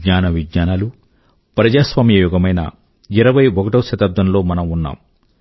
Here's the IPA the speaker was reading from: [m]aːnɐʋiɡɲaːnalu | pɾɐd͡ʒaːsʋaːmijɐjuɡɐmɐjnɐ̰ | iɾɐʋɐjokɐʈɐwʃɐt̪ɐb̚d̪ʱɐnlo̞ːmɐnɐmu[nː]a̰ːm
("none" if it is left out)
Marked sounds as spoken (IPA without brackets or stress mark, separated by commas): ɲ, nː